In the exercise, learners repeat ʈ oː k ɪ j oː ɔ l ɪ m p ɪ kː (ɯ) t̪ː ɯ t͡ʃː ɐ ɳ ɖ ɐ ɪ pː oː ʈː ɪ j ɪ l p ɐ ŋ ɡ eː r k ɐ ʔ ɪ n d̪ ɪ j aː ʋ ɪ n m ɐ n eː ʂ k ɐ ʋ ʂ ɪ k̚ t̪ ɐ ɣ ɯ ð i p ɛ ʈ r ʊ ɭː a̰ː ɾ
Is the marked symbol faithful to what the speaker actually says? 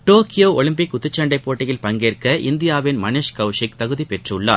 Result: no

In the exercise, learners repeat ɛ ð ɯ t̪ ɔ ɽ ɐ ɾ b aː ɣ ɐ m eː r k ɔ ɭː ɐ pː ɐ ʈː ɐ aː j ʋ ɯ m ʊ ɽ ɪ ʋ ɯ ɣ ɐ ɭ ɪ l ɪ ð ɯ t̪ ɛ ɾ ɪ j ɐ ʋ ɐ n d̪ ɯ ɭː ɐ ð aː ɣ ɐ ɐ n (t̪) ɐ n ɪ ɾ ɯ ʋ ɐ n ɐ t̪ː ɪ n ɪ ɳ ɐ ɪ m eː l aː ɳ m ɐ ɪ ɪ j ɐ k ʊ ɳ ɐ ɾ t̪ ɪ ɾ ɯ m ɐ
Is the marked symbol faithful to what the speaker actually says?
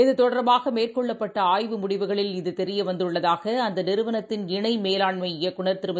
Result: no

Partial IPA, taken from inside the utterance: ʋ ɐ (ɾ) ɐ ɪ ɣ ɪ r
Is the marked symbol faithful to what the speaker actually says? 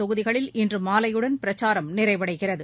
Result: no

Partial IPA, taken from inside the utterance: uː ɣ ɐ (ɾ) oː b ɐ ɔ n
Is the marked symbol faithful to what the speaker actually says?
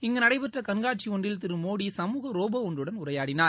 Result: yes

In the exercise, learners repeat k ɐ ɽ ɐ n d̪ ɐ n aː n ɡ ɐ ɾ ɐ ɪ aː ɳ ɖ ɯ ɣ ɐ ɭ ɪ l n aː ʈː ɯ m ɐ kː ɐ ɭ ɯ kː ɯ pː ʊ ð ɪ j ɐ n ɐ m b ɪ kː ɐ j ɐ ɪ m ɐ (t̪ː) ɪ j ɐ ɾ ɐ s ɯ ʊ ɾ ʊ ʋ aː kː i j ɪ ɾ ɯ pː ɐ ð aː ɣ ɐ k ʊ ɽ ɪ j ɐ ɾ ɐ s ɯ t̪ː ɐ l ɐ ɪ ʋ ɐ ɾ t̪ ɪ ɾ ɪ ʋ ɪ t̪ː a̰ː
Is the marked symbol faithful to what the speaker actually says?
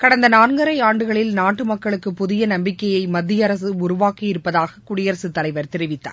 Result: no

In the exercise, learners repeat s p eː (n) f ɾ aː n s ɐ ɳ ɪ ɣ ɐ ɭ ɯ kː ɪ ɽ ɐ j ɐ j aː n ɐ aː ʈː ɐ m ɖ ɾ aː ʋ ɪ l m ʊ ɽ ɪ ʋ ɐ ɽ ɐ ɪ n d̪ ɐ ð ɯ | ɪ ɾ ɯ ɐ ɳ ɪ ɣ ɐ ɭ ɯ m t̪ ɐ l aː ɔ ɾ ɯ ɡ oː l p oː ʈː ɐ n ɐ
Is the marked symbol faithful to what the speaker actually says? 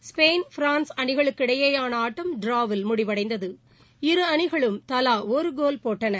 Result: yes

